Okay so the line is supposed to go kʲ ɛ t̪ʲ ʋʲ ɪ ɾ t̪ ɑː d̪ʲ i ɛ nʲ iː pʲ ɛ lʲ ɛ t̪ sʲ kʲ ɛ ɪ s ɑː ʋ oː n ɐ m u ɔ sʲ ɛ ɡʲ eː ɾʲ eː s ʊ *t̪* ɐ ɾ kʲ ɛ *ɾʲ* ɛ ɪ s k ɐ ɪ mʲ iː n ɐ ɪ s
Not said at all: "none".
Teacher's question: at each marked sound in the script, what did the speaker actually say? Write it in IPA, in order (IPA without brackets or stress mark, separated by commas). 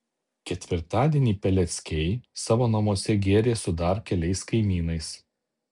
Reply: d̪, lʲ